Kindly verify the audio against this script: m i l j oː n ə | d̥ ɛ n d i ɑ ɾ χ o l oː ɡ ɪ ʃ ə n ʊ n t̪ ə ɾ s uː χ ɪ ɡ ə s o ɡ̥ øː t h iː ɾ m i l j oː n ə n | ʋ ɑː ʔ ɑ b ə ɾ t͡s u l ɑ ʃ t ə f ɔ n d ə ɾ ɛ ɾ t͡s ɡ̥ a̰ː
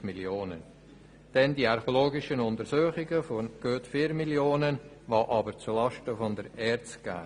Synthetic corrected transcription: m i l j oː n ə | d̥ ɛ n d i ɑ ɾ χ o l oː ɡ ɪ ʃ ə n ʊ n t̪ ə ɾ s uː χ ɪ ɡ ə f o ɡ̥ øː t f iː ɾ m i l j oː n ə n | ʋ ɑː ʔ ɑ b ə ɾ t͡s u l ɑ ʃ t ə f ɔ n d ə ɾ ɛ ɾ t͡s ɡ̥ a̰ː